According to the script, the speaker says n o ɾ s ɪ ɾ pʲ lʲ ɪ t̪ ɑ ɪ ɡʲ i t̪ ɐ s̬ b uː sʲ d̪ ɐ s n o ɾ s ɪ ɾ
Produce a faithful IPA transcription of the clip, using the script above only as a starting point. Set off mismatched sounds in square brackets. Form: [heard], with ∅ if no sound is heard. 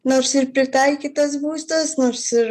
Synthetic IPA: n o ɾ s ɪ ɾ pʲ [ɾʲ] ɪ t̪ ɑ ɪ [kʲ] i t̪ ɐ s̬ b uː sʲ [t̪] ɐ s n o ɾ s ɪ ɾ